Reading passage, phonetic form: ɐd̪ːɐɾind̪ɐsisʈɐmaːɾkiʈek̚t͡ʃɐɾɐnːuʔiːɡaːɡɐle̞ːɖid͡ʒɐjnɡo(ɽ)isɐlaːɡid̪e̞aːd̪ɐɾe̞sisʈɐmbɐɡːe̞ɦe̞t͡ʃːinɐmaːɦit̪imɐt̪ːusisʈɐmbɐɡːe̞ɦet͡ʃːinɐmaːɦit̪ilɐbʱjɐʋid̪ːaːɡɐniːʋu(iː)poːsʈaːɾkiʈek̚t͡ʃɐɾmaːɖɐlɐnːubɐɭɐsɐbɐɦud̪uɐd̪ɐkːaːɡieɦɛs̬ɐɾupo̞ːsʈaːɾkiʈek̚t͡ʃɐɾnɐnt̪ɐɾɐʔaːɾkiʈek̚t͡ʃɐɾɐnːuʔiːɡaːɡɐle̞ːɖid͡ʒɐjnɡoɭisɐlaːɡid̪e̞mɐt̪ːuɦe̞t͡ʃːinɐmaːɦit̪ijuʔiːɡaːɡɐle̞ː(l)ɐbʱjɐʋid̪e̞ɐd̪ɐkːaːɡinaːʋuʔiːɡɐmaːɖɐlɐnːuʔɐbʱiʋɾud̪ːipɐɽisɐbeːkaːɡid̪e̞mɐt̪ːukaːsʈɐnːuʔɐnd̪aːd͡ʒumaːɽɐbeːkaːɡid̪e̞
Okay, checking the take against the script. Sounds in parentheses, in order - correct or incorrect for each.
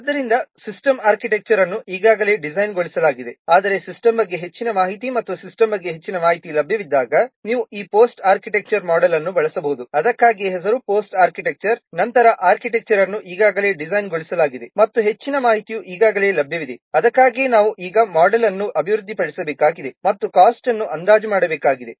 incorrect: ɭ, correct, correct

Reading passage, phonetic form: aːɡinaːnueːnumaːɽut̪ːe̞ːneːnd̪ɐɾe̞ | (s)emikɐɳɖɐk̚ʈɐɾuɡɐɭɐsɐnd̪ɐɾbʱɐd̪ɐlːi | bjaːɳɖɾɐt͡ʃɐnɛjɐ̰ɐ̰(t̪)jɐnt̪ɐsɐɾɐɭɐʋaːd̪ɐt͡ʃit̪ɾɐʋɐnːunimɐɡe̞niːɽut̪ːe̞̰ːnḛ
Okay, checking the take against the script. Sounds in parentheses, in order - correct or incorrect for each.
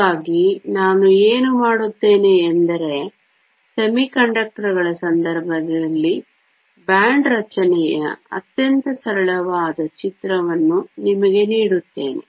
correct, correct

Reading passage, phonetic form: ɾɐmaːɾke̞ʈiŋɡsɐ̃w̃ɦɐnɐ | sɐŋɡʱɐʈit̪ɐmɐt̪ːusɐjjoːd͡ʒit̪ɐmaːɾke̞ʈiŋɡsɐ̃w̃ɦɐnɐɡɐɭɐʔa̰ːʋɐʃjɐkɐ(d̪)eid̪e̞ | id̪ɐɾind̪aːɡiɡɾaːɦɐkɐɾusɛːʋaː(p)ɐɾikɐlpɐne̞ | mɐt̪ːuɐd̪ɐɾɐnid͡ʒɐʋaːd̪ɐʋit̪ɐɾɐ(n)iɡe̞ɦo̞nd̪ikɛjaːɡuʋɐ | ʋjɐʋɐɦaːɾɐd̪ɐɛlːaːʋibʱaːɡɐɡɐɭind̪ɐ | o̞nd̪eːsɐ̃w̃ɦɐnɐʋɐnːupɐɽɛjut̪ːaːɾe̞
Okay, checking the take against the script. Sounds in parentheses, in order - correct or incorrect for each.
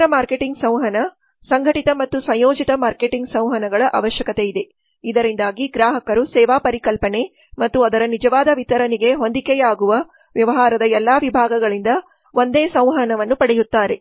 incorrect: t̪, correct, correct

